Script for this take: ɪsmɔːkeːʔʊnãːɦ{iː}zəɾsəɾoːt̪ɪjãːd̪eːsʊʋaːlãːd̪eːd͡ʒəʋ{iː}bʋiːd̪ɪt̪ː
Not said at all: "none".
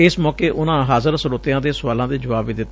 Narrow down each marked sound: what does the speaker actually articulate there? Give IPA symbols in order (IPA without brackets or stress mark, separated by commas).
aː, aː